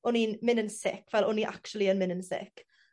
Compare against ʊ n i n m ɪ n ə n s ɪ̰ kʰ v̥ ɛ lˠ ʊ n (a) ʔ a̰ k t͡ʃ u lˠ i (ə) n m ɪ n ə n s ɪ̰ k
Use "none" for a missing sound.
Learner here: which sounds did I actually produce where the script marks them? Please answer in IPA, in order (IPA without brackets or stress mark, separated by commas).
i, ə